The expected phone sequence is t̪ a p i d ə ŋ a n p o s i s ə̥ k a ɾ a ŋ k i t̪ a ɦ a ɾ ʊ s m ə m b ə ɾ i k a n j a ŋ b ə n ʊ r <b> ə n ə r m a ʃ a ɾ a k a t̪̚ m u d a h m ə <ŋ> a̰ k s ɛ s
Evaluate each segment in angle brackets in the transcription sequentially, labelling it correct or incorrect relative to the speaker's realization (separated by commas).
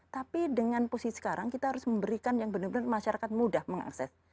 correct, correct